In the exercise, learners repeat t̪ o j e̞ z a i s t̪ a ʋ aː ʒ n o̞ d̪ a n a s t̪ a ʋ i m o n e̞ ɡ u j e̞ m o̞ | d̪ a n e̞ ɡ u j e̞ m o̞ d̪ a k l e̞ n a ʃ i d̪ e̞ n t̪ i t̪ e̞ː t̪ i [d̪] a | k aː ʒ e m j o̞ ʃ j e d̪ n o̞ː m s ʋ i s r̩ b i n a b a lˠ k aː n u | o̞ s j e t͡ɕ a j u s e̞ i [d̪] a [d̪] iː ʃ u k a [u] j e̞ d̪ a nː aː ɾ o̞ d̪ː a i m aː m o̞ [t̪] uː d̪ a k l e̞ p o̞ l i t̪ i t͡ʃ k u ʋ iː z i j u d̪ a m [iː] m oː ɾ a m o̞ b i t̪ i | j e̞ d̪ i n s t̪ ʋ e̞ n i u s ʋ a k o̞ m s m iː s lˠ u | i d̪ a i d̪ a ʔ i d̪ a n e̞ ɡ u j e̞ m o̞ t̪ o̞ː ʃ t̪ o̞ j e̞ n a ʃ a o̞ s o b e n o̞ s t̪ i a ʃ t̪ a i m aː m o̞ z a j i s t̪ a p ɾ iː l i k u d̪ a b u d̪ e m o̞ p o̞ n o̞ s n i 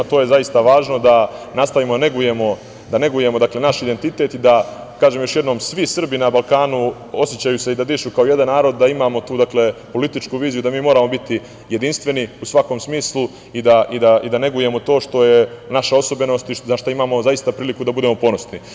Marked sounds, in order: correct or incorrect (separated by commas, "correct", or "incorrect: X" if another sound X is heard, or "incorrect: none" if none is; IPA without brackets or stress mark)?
correct, correct, correct, incorrect: o, correct, correct